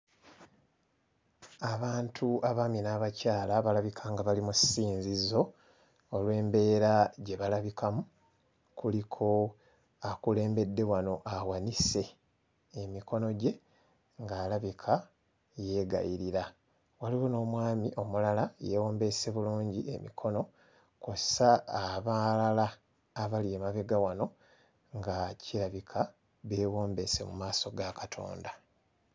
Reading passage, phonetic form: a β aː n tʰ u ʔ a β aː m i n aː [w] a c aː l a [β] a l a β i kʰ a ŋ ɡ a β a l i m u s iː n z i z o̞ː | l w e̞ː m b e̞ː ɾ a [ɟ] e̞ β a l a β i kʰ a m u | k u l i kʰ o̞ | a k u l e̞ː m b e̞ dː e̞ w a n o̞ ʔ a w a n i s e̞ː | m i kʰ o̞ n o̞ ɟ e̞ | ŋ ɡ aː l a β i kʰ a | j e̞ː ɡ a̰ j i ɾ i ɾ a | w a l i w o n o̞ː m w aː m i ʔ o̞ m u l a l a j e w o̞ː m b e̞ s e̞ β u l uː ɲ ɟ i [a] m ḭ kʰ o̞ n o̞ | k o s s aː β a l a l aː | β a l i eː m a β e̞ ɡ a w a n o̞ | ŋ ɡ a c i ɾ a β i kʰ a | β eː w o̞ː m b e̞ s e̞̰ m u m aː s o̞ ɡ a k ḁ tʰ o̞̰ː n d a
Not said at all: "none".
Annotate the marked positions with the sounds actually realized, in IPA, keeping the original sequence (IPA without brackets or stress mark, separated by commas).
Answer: β, β, ɟ, e